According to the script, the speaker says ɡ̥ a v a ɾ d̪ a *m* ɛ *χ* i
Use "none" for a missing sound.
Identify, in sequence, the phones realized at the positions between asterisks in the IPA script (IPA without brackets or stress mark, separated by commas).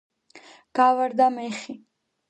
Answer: m, χ